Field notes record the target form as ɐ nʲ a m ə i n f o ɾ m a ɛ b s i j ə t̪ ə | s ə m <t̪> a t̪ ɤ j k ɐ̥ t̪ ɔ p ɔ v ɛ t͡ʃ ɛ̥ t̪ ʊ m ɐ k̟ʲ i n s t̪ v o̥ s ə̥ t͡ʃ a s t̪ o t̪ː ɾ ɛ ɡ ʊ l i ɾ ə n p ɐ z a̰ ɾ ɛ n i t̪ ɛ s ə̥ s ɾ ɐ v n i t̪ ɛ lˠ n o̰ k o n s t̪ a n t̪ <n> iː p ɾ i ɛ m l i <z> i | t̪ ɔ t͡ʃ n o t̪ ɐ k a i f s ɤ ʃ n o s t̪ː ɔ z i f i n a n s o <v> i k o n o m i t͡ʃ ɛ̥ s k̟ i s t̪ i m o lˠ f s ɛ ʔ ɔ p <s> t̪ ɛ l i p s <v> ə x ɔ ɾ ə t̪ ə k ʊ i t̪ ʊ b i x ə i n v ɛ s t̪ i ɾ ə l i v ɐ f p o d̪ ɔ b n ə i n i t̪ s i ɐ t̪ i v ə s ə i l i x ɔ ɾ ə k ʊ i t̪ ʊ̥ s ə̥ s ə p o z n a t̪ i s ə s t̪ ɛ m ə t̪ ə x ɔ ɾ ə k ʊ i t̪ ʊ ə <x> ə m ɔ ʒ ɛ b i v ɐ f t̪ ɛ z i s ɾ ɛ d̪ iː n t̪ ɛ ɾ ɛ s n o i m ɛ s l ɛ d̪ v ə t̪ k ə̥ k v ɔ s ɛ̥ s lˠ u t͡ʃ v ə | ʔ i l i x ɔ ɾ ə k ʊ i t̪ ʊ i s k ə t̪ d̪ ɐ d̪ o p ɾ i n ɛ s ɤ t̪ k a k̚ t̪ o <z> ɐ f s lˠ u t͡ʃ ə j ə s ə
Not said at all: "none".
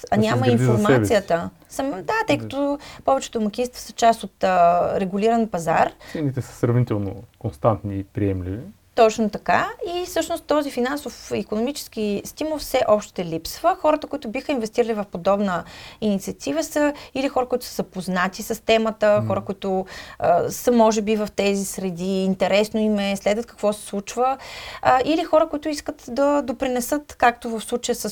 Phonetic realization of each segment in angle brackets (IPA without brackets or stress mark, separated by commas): d̪, n, v, f, ʃ, v, s, v